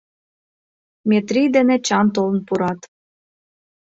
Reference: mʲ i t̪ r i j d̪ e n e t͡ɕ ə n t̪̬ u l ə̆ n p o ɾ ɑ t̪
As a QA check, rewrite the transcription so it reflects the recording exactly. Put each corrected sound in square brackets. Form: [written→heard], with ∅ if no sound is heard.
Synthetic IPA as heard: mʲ [i→e] t̪ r i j d̪ e n e t͡ɕ [ə→ɑ] n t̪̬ [u→o] l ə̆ n p [o→u] ɾ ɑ t̪